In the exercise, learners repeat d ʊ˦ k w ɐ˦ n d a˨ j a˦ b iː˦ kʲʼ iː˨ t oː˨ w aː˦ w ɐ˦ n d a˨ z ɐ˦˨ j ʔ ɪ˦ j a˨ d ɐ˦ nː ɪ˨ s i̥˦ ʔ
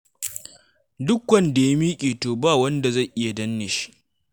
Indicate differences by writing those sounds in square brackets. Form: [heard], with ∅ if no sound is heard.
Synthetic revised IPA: d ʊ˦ k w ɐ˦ n d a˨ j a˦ [m] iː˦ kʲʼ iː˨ t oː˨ [b] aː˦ w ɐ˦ n d a˨ z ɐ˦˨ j ʔ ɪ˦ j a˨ d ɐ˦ nː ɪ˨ [ʃ] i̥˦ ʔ